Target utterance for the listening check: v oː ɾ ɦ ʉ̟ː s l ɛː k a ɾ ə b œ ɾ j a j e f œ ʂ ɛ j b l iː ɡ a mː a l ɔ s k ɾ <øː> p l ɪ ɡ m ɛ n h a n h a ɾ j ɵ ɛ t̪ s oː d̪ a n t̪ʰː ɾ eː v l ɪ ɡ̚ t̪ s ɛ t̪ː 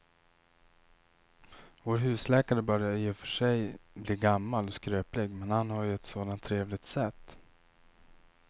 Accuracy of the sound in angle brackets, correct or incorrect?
correct